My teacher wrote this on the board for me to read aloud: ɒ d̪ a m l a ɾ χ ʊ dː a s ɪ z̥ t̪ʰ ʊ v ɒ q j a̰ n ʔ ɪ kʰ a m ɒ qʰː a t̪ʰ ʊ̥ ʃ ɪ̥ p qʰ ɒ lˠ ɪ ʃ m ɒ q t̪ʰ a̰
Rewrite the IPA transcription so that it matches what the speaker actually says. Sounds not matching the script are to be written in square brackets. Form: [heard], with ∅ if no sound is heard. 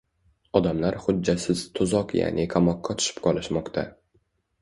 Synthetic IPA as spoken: ɒ d̪ a m l a ɾ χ ʊ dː a s ɪ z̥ t̪ʰ ʊ [z] ɒ q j a̰ n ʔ ɪ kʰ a m ɒ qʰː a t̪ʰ ʊ̥ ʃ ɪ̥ p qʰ ɒ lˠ ɪ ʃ m ɒ q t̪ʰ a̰